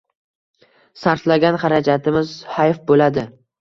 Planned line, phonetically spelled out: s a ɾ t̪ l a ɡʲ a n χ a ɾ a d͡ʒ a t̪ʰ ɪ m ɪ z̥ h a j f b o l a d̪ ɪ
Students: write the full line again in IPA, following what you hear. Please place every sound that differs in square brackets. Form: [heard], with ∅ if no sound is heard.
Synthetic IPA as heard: s a ɾ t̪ l a ɡʲ a n χ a ɾ a d͡ʒ a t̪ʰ ɪ m ɪ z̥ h a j f b o l a d̪ ɪ